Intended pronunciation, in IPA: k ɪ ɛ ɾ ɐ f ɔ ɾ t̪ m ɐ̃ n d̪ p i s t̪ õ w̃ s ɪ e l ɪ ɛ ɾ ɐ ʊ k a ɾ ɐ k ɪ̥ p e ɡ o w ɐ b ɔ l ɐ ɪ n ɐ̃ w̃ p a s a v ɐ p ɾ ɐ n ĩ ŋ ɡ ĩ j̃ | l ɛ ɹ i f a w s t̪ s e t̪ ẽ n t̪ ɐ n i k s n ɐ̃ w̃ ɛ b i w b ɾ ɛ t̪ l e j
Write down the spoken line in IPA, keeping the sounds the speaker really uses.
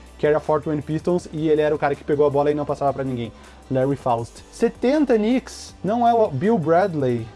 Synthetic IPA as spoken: k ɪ ɛ ɾ ɐ f ɔ ɾ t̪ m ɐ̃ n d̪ p i s t̪ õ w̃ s ɪ e l ɪ ɛ ɾ ɐ ʊ k a ɾ ɐ k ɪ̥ p e ɡ o w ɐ b ɔ l ɐ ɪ n ɐ̃ w̃ p a s a v ɐ p ɾ ɐ n ĩ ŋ ɡ ẽ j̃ | l ɛ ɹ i f a w s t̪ s e t̪ ẽ n t̪ ɐ n i k s n ɐ̃ w̃ ɛ b i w b ɾ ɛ d̪ l e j

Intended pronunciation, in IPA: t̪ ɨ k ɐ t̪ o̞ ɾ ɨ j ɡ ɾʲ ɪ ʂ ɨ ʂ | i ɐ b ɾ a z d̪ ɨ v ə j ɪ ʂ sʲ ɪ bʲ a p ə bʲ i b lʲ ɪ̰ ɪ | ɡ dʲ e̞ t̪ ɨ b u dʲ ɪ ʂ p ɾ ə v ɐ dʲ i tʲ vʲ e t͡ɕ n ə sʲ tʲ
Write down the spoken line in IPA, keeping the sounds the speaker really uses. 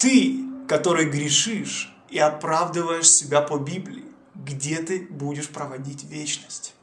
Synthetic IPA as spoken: t̪ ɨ k ɐ t̪ o̞ ɾ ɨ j ɡ ɾʲ ɪ ʂ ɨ ʂ | i ɐ p ɾ a v d̪ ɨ v ə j ɪ ʂ sʲ ɪ bʲ a p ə bʲ i b lʲ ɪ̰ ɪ | ɡ dʲ e̞ t̪ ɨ b u dʲ ɪ ʂ p ɾ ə v ɐ dʲ i tʲ vʲ e t͡ɕ n ə sʲ tʲ

